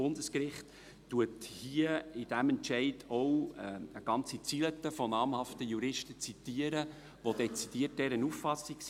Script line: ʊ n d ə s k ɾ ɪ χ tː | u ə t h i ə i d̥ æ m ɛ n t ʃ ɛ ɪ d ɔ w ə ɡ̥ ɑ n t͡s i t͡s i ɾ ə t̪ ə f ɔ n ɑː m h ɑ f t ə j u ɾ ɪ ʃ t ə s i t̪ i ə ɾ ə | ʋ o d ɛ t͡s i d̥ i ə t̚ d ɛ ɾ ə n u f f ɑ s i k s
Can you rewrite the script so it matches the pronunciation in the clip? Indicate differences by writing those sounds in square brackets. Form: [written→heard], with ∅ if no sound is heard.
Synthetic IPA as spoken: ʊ n d ə s k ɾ ɪ χ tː | u ə t h i ə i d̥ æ m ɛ n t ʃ ɛ ɪ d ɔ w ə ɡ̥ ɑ n t͡s i t͡s i [ɾ→l] ə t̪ ə f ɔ n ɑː m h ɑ f t ə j u ɾ ɪ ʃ t ə [s→t͡s] i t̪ i ə ɾ ə | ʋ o d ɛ t͡s i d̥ i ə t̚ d ɛ ɾ ə n u f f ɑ s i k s